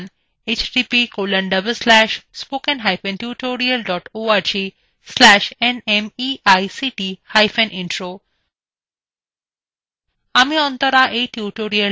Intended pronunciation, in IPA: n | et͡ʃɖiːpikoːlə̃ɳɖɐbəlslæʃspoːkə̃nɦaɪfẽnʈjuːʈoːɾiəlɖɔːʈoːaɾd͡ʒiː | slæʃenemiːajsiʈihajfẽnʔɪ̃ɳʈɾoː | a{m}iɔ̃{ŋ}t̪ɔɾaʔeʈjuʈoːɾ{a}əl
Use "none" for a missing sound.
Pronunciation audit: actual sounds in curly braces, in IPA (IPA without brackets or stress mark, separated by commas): m, n, i